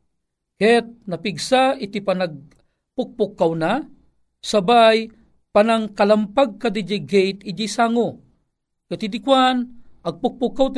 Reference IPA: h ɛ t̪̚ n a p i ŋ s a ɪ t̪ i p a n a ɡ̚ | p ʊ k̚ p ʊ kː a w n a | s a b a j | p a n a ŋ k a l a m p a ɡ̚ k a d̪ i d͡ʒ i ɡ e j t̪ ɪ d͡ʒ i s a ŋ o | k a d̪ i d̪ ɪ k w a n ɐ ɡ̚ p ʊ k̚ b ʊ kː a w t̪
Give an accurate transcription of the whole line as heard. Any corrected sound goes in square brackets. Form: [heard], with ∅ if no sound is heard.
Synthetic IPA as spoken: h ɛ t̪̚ n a p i [ɡ] s a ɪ t̪ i p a n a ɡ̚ | p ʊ k̚ p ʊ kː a w n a | s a b a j | p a n a ŋ k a l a m p a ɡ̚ k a d̪ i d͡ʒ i ɡ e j t̪ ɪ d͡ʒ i s a ŋ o | k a [t̪] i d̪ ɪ k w a n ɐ ɡ̚ p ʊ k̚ [p] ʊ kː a w t̪